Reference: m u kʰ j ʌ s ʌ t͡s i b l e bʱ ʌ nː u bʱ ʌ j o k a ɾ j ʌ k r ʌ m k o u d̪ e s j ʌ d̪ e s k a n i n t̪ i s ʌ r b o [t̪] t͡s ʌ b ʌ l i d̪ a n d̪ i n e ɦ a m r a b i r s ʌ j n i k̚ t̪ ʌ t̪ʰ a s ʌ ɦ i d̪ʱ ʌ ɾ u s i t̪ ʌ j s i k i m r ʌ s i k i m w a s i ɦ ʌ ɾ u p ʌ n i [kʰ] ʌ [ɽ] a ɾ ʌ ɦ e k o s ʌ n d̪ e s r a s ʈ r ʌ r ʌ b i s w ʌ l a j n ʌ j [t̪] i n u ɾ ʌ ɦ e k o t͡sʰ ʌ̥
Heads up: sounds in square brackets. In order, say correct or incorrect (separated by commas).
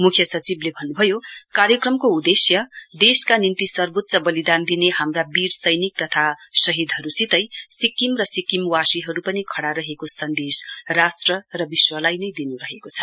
correct, correct, correct, incorrect